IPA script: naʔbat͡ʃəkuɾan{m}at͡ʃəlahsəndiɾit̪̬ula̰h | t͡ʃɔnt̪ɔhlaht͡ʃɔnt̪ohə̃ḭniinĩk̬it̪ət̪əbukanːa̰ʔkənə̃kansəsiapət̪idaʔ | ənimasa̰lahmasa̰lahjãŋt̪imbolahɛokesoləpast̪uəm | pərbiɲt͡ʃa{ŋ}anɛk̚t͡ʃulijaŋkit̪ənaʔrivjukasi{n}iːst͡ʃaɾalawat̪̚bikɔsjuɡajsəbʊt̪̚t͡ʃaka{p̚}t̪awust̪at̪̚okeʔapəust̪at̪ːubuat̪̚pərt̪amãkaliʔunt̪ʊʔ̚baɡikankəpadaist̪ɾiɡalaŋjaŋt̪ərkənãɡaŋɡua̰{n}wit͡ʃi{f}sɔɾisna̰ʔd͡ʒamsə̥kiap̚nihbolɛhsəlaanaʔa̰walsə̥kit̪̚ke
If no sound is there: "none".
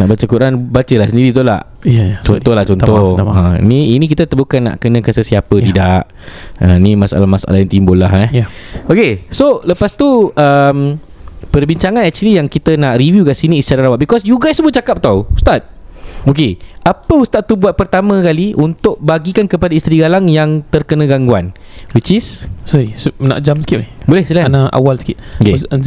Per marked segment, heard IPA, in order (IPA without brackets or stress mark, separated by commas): b, ŋ, n, p̚, n, s